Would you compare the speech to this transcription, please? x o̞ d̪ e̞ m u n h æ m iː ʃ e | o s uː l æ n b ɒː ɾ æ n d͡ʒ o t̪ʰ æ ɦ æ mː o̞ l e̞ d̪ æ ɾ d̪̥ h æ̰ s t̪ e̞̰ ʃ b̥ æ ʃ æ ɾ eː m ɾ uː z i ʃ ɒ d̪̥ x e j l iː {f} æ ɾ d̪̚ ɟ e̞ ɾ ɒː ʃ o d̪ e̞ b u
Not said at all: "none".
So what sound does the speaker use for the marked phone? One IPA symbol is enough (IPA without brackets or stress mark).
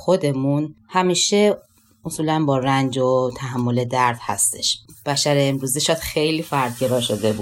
f